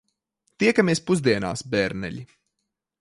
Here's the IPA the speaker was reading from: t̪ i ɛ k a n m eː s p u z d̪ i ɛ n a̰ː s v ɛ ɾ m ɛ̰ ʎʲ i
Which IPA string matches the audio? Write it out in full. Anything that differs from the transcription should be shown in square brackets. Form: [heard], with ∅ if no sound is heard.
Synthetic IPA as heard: t̪ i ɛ k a [∅] m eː s p u z d̪ i ɛ n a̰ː s [b] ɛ ɾ [n] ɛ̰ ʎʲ i